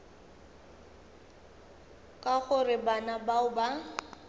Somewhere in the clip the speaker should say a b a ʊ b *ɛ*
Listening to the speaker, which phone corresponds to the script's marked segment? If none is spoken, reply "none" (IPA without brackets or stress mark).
a